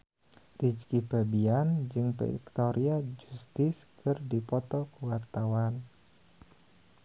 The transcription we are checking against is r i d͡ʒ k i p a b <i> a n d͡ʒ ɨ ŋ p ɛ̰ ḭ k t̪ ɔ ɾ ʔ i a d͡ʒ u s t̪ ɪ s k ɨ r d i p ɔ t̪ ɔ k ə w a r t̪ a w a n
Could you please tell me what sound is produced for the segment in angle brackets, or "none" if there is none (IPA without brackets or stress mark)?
i